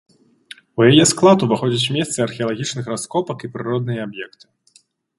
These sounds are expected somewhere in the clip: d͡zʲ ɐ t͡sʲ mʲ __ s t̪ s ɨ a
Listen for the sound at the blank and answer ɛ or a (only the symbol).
ɛ